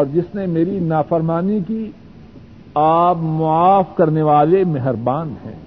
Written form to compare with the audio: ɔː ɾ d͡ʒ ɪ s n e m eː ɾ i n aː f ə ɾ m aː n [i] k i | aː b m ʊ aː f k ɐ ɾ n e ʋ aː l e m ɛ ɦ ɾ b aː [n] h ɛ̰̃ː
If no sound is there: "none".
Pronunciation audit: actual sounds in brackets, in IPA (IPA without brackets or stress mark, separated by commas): i, n